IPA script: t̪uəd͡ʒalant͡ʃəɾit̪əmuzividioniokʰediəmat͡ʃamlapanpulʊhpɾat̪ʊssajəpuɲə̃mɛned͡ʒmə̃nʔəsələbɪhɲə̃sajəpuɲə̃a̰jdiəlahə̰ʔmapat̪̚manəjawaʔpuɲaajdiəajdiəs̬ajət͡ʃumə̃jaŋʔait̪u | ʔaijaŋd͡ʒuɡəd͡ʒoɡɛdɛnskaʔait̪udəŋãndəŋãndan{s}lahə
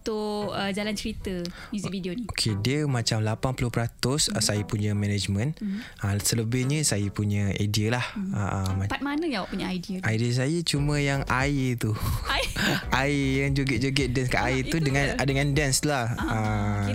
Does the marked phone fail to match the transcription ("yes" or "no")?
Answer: no